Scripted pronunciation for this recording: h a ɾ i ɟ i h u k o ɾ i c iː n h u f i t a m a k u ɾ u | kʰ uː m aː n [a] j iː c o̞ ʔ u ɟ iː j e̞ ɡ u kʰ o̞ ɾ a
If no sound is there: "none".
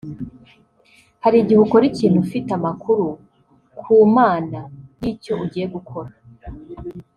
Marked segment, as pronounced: a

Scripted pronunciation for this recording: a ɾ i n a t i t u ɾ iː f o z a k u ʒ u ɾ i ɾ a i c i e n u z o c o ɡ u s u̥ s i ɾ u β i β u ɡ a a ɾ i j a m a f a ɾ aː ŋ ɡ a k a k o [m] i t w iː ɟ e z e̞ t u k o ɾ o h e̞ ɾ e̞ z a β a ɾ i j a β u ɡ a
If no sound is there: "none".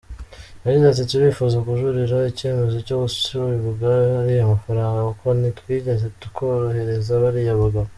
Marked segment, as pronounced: n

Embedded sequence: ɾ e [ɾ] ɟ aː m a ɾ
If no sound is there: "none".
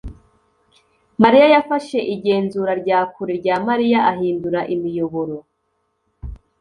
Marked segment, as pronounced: ɾ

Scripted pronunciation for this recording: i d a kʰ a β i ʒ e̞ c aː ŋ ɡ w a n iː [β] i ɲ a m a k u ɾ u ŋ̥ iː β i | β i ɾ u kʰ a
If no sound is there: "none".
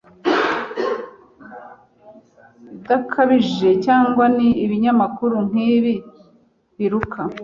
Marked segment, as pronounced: β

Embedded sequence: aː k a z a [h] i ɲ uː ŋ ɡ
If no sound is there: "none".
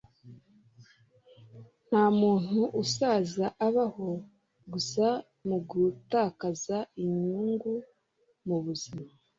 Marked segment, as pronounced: none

